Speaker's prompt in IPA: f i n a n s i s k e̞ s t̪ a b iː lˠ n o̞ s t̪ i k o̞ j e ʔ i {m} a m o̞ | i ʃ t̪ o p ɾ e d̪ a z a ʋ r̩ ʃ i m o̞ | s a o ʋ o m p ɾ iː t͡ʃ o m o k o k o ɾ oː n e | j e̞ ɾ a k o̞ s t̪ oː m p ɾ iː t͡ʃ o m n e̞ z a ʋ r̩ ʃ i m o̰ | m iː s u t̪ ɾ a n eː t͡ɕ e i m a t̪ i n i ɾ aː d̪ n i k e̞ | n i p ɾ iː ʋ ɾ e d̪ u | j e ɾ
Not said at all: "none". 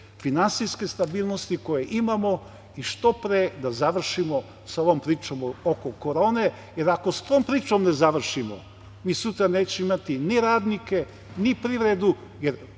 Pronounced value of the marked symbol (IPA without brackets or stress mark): m